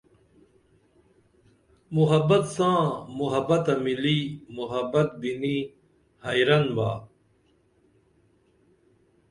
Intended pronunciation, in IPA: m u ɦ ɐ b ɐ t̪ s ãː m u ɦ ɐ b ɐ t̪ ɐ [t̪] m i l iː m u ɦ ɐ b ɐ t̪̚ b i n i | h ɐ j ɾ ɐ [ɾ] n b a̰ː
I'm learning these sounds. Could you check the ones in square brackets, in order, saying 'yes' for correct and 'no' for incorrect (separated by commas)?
no, no